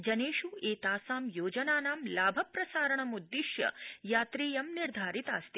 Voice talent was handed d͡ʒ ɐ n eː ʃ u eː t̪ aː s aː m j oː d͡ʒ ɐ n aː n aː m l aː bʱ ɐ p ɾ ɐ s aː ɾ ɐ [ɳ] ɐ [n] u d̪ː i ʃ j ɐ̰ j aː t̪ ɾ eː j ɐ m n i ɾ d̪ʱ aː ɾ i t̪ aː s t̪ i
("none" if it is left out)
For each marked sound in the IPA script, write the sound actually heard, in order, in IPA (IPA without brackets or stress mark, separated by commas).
ɳ, m